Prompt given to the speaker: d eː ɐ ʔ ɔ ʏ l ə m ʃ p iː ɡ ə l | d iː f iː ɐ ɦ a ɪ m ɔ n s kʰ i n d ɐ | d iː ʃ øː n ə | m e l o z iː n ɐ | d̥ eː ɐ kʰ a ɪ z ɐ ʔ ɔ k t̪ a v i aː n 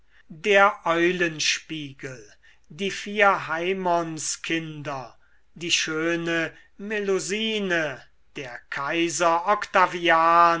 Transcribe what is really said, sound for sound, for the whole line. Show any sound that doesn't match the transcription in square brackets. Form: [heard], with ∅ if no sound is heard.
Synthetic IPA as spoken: d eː ɐ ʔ ɔ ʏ l ə [n] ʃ p iː ɡ ə l | d iː f iː ɐ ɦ a ɪ m ɔ n s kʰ [ɪ] n d ɐ | d iː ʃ øː n ə | m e l o z iː n [ə] | d̥ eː ɐ kʰ a ɪ z ɐ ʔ ɔ k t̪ a v i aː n